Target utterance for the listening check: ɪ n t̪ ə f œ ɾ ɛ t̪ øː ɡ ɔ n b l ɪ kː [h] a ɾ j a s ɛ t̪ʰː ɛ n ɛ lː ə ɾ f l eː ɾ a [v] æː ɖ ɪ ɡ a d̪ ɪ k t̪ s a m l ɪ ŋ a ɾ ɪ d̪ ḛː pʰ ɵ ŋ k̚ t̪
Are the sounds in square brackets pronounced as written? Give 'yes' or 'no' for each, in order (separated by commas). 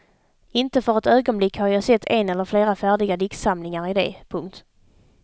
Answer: yes, no